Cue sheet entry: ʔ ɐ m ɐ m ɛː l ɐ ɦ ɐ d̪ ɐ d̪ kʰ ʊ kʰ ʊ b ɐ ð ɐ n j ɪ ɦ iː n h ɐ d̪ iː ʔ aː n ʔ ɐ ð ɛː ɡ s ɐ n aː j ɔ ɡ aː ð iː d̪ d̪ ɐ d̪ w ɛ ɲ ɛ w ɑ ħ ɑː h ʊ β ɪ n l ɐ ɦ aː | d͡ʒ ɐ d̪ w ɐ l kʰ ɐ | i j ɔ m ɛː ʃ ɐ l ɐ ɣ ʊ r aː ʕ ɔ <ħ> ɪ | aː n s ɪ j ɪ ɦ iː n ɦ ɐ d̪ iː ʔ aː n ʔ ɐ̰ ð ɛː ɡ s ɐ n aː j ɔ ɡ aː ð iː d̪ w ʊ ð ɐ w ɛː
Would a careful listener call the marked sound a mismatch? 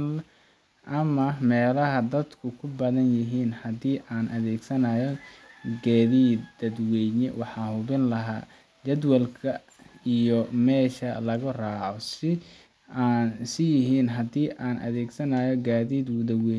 yes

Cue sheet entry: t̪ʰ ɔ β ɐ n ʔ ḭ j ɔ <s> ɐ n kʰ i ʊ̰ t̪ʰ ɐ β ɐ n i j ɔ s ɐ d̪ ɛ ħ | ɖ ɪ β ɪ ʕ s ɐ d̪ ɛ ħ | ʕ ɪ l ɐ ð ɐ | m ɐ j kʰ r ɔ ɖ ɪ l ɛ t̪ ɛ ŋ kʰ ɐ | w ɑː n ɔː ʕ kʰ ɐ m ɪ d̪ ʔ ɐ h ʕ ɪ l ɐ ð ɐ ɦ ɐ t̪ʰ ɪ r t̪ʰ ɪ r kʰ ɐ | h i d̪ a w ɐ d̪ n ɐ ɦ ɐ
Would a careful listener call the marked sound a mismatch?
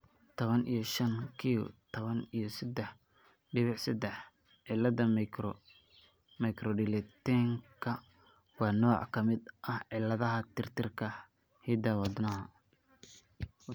yes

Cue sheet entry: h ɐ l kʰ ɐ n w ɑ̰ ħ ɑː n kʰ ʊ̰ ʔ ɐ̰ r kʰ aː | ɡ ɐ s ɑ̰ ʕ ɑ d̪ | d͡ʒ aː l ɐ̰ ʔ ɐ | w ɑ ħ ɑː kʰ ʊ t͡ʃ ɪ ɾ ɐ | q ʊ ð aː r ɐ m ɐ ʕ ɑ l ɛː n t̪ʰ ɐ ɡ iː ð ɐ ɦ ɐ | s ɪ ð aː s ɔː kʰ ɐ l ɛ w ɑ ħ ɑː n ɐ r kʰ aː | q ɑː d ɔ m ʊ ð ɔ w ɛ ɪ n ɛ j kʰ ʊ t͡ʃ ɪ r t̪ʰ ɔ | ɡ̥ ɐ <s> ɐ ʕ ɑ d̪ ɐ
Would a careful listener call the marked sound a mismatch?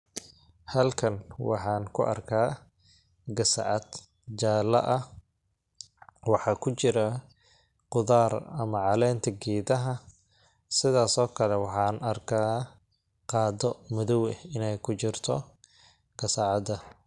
no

